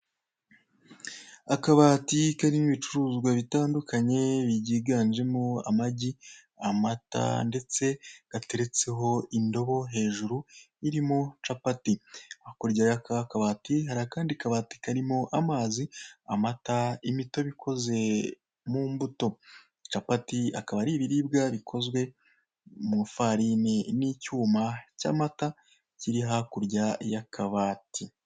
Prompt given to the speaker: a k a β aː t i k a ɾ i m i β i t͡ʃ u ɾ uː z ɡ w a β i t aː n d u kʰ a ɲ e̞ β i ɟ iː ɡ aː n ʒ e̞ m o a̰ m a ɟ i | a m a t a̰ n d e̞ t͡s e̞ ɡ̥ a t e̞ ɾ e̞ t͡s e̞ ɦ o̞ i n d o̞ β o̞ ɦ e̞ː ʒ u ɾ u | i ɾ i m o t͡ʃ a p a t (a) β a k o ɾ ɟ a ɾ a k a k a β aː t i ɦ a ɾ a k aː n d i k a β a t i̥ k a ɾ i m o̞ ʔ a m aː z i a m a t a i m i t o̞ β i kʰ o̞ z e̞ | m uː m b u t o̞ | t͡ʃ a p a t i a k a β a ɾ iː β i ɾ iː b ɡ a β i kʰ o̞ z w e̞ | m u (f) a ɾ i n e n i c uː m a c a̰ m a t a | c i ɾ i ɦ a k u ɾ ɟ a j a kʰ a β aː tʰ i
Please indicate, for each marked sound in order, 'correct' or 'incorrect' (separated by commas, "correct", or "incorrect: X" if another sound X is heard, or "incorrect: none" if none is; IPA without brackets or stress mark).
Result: incorrect: i, correct